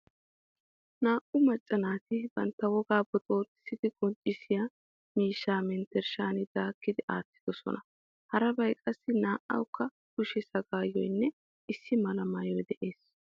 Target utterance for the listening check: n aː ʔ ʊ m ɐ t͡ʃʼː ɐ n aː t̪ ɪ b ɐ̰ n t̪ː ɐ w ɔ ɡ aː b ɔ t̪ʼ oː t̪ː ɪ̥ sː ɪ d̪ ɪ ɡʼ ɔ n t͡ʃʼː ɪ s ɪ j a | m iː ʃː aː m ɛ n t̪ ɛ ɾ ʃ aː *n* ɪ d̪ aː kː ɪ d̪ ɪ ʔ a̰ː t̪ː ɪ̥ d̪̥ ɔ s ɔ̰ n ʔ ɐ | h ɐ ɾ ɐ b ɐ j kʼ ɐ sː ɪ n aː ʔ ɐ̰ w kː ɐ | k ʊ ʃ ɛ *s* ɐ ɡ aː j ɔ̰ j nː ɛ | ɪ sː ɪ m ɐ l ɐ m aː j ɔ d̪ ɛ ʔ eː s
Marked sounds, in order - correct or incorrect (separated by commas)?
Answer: correct, correct